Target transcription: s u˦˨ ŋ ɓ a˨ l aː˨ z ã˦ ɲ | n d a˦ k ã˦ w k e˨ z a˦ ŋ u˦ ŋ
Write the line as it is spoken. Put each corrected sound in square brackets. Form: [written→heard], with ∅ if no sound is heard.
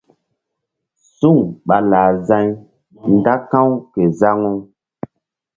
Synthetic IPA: s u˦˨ ŋ ɓ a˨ l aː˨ z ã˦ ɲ | n d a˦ k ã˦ w k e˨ z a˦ ŋ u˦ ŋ